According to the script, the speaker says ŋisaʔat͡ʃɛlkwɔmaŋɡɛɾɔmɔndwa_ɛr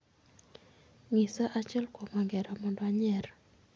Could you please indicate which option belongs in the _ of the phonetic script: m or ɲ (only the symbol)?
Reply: ɲ